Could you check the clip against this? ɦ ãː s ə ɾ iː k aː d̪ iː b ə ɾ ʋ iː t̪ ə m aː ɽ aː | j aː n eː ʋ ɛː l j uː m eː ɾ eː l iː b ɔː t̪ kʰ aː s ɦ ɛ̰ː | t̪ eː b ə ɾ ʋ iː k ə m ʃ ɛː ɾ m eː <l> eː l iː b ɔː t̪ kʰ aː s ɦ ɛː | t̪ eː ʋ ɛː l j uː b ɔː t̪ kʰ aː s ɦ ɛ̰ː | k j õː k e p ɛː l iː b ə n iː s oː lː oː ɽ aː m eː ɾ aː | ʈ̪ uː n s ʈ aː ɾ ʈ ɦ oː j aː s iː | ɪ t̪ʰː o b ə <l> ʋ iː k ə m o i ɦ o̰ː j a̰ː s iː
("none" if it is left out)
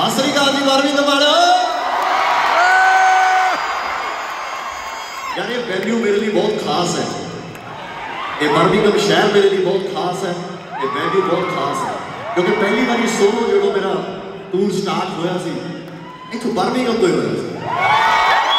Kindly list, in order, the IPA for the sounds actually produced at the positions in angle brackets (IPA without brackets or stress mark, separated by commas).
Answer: ɾ, ɾ